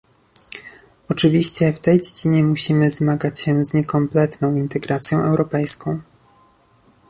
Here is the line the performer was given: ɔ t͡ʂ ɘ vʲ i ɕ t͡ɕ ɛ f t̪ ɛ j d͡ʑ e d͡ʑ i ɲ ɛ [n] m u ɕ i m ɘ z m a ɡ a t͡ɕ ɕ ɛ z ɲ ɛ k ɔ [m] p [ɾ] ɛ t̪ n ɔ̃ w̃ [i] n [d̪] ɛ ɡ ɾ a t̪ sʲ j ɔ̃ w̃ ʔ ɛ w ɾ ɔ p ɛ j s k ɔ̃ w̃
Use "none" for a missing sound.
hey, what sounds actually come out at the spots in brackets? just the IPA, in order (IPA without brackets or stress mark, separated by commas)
none, m, l, i, t̪